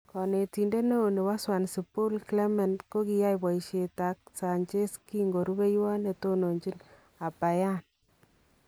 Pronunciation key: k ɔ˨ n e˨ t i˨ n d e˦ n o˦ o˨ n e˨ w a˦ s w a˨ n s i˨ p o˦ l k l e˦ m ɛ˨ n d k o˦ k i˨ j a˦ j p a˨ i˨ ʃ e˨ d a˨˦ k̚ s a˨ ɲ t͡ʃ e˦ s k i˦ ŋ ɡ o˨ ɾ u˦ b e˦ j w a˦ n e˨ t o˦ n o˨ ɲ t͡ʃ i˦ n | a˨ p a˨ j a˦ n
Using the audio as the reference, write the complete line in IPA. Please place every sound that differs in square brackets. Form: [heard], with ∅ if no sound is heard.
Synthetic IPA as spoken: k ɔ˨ n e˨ t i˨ n d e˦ n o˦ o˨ n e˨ w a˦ s w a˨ n s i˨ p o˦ l k l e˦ m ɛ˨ n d k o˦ k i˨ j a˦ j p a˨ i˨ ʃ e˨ [t] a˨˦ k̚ s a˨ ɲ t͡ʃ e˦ s k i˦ ŋ ɡ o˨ ɾ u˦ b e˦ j w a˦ n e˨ t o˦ n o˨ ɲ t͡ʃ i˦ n | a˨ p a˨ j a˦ n